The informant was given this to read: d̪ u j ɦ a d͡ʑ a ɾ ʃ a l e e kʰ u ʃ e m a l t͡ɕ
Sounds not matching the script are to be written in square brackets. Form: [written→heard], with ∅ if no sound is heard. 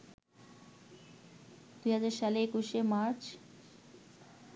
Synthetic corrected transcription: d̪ u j ɦ a d͡ʑ a ɾ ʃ a l e e [kʰ→k] u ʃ e m a [l→ɾ] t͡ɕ

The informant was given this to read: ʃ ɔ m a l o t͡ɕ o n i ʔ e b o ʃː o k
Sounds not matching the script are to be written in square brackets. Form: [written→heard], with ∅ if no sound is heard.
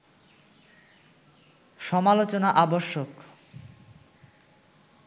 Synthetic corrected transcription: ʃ ɔ m a l o t͡ɕ o n [i→a] ʔ [e→a] b o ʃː o k

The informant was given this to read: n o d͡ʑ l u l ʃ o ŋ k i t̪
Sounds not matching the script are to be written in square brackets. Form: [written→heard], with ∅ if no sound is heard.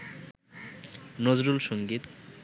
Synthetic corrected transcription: n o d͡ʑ [l→ɾ] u l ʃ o ŋ [k→ɡ] i t̪

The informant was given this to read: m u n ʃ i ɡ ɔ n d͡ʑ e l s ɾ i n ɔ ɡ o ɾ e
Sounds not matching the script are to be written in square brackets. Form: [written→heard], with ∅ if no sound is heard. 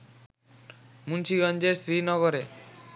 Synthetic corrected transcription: m u n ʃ i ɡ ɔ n d͡ʑ e [l→ɾ] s ɾ i n ɔ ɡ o ɾ e

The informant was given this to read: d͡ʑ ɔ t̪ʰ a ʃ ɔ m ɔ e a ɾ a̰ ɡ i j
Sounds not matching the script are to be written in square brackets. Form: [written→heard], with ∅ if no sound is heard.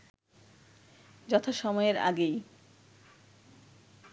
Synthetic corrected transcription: d͡ʑ ɔ t̪ʰ a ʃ ɔ m ɔ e [a→e] ɾ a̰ ɡ [i→e] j

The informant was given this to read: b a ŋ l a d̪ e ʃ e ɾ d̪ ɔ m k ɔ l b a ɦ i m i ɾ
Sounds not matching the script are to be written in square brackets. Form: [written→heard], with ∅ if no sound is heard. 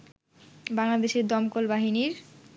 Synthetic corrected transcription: b a ŋ l a d̪ e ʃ e ɾ d̪ ɔ m k [ɔ→o] l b a ɦ i [m→n] i ɾ

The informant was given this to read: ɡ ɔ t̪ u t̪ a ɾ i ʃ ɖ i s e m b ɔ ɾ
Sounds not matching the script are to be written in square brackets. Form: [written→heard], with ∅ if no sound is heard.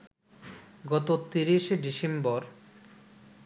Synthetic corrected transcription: ɡ ɔ t̪ [u→o] t̪ [a→i] ɾ i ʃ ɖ i s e m b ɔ ɾ

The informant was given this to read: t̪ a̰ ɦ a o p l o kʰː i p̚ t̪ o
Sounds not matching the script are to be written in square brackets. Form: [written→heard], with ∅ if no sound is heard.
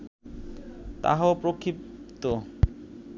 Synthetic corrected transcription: t̪ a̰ ɦ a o p [l→ɾ] o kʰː i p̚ t̪ o

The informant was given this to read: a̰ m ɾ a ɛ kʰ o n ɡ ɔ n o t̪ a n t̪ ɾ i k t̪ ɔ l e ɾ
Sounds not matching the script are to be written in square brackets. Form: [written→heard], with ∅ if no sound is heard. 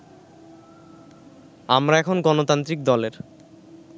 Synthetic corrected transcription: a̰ m ɾ a ɛ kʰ o n ɡ ɔ n o t̪ a n t̪ ɾ i k [t̪→d̪] ɔ l e ɾ

